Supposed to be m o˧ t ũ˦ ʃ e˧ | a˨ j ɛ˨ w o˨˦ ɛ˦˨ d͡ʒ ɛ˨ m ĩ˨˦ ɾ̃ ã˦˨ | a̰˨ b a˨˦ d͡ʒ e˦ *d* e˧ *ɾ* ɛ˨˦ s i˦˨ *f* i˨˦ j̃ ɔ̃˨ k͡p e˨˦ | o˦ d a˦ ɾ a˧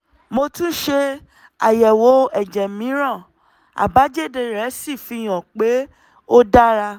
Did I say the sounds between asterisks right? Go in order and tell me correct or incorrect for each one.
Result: correct, correct, correct

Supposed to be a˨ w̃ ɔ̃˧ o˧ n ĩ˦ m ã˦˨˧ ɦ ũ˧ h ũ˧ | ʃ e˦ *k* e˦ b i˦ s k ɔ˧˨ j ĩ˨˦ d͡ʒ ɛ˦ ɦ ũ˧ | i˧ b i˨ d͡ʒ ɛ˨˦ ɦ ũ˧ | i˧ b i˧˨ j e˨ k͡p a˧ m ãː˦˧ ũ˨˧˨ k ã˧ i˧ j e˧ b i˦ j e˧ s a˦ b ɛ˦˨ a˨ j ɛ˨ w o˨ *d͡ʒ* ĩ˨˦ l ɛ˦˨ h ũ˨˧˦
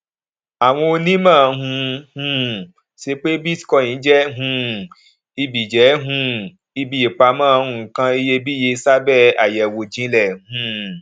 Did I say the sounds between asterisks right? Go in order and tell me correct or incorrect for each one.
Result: incorrect, correct

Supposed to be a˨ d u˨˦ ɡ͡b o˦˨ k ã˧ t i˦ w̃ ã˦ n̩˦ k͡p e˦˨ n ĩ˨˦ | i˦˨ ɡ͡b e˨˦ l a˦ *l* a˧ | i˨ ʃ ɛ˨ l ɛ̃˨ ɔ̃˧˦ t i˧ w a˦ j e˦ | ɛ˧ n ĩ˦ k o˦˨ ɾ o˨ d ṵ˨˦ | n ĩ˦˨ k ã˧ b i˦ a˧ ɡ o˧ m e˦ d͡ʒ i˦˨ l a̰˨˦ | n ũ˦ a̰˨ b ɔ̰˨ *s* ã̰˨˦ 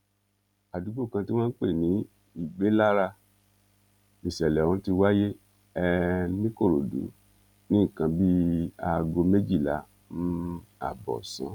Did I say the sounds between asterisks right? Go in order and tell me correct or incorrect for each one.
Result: incorrect, correct

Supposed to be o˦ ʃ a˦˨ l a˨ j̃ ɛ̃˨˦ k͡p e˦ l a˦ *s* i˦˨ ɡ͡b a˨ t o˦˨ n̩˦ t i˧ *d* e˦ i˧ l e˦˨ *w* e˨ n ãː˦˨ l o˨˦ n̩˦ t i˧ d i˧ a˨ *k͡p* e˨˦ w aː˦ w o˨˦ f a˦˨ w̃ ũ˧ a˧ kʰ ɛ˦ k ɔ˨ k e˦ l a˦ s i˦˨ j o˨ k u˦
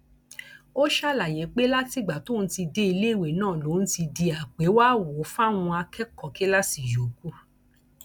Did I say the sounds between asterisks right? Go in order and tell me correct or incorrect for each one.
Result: incorrect, correct, correct, correct

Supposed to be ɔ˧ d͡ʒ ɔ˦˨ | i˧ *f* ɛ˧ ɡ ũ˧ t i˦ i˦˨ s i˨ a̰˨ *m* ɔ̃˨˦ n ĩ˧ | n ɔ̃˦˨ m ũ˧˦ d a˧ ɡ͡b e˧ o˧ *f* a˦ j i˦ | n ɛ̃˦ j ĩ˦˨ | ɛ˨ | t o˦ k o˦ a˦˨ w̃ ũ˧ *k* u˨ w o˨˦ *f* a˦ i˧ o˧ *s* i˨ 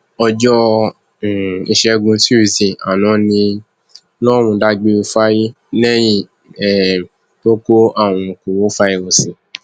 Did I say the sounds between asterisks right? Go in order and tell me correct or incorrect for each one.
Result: incorrect, incorrect, correct, correct, correct, correct

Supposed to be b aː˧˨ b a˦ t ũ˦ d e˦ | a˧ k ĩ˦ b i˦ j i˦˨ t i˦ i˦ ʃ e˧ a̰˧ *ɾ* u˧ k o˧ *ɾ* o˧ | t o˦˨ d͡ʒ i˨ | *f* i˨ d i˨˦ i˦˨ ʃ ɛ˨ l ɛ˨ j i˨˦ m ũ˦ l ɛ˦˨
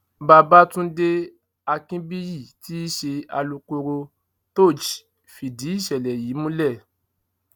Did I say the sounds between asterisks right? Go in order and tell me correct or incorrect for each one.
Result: incorrect, correct, correct

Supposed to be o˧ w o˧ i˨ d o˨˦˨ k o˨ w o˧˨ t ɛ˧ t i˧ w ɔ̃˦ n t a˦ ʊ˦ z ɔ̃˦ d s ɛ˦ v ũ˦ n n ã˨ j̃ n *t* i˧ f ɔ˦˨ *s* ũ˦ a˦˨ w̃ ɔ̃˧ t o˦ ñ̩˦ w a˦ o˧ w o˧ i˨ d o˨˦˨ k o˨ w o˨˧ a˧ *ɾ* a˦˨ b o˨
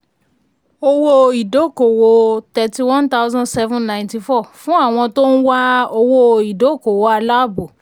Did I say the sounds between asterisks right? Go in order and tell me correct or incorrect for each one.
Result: correct, incorrect, incorrect

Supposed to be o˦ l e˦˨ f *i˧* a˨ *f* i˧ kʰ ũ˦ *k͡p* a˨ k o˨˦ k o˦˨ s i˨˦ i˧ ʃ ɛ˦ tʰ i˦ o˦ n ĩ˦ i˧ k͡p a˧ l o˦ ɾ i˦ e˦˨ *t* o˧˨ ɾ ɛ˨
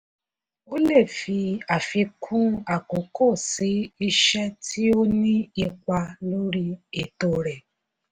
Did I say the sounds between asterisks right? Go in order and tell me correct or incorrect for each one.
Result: correct, correct, incorrect, correct

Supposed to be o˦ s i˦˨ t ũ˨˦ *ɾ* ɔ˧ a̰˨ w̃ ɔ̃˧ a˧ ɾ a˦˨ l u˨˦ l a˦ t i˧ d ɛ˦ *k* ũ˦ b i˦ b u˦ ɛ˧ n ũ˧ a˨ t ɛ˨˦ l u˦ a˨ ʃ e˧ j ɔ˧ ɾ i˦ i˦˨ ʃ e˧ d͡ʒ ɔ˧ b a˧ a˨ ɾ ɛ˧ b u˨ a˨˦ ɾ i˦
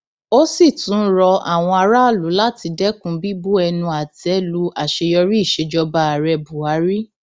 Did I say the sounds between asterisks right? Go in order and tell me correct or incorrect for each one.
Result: correct, correct

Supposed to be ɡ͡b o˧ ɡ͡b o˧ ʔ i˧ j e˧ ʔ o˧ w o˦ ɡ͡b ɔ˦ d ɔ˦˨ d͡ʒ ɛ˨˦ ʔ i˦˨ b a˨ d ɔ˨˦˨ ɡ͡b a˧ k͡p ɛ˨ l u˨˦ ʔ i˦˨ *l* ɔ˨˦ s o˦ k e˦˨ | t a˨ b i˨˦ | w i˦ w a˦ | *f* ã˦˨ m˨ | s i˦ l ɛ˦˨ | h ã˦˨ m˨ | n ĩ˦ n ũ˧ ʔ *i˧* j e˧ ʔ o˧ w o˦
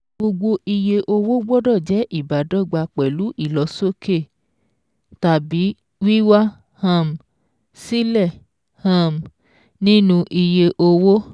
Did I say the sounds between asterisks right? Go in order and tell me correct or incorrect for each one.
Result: correct, incorrect, correct

